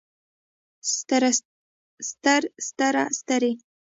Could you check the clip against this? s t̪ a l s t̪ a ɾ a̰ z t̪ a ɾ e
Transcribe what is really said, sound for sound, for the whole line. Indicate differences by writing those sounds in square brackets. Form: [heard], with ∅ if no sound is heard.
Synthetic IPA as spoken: s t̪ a [ɾ] s t̪ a ɾ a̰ [s] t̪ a ɾ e